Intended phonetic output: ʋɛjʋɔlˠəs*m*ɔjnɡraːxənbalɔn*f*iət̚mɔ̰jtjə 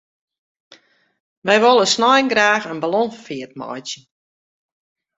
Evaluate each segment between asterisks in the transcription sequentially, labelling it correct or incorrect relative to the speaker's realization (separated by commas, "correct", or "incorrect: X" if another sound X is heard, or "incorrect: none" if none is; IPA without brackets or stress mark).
incorrect: n, correct